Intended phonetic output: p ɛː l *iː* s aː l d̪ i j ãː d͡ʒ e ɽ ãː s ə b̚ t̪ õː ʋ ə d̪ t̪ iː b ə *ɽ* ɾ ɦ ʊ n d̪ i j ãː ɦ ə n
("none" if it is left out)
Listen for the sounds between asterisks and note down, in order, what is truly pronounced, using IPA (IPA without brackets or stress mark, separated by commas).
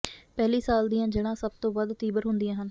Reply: iː, none